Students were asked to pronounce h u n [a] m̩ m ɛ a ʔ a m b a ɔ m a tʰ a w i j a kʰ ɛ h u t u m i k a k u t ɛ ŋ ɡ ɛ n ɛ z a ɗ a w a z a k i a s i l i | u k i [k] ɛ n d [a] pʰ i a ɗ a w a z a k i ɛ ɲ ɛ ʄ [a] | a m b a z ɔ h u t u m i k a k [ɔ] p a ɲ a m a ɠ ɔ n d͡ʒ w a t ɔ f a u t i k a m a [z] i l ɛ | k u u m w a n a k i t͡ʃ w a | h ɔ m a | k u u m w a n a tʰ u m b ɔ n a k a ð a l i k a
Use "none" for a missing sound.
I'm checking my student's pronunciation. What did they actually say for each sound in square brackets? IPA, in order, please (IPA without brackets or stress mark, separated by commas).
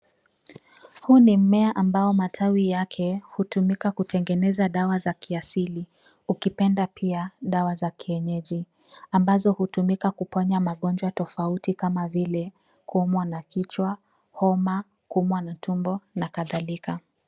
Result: i, p, a, i, u, v